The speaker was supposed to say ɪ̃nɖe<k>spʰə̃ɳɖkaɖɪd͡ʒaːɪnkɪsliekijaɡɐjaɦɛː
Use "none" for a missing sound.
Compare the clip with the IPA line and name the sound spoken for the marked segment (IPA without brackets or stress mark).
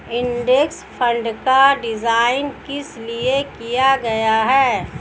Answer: k